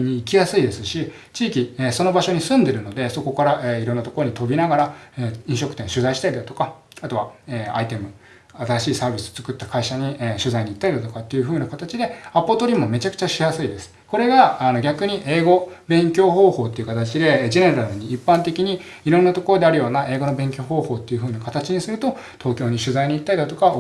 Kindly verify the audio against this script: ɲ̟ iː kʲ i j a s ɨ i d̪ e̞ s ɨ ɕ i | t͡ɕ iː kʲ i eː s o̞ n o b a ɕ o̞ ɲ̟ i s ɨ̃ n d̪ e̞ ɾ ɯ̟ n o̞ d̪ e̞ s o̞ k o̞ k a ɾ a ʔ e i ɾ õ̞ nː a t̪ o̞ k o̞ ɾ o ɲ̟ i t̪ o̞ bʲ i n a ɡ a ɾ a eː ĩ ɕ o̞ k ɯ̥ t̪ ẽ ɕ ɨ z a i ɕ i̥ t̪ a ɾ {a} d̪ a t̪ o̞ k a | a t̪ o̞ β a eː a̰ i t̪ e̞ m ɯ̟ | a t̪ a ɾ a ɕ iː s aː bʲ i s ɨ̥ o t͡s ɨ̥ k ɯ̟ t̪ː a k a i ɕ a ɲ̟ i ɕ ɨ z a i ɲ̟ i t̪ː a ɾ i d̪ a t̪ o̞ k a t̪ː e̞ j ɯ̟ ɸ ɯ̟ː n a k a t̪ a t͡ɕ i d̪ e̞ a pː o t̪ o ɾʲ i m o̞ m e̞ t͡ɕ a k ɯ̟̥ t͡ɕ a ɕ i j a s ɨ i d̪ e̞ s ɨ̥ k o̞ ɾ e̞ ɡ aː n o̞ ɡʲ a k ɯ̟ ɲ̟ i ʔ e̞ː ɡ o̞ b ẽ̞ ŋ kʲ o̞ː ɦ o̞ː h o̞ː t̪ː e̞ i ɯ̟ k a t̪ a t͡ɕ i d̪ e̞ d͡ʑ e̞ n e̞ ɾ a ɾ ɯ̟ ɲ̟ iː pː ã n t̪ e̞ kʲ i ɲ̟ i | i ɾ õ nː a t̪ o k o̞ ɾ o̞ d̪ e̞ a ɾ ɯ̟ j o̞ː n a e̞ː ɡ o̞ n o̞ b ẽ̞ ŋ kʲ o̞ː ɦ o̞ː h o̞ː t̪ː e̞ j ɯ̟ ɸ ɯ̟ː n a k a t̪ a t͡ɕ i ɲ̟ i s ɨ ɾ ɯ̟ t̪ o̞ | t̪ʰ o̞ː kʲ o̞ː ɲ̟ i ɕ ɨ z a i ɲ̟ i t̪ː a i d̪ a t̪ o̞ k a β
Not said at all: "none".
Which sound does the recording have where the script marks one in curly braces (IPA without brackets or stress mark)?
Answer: i